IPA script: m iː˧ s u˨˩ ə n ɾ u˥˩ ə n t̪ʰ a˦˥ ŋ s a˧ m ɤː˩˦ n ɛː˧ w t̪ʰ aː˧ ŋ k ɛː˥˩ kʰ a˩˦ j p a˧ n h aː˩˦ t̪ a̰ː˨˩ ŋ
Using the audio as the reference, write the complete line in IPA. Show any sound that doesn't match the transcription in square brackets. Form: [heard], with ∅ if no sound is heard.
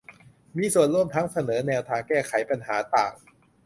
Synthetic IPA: m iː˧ s u˨˩ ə n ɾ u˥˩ ə [m] t̪ʰ a˦˥ ŋ s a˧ [n] ɤː˩˦ n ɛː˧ w t̪ʰ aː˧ ŋ k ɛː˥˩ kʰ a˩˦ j p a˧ n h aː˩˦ t̪ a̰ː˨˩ ŋ